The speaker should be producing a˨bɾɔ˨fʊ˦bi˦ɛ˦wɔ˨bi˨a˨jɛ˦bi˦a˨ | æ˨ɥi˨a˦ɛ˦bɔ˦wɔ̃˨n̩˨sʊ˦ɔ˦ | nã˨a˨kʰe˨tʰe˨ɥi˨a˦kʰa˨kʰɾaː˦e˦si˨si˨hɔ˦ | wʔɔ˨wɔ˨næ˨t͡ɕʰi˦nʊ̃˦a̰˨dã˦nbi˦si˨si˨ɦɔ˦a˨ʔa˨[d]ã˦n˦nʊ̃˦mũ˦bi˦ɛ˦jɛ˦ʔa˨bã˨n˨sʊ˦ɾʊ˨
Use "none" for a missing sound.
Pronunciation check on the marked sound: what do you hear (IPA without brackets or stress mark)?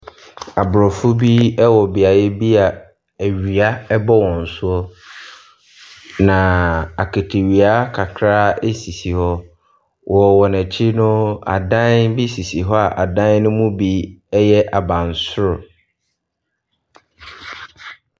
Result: d